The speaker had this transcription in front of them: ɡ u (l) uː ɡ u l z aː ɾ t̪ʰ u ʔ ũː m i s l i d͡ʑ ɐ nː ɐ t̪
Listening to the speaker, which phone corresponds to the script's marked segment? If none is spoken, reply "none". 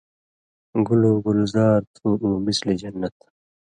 l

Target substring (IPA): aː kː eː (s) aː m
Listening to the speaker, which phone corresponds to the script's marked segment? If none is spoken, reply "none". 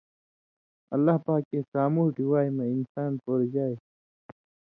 s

